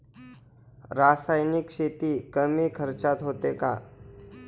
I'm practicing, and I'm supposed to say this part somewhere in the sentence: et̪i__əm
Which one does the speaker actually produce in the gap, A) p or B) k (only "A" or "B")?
B